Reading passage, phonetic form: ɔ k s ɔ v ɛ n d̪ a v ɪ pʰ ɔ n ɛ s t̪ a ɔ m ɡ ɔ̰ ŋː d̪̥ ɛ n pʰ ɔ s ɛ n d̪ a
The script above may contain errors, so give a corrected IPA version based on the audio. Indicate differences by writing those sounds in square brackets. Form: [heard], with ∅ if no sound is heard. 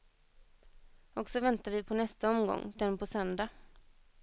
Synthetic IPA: ɔ k s ɔ v ɛ n [t̪] a v ɪ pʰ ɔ n ɛ s t̪ a ɔ m ɡ ɔ̰ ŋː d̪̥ ɛ n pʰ ɔ s [œ] n d̪ a